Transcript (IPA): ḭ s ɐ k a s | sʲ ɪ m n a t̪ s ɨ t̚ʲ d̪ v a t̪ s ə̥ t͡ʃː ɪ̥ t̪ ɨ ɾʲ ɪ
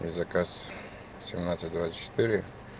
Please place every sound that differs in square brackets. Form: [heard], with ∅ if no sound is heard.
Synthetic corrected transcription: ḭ [z] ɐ k a s | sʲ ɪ m n a t̪ s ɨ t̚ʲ d̪ v a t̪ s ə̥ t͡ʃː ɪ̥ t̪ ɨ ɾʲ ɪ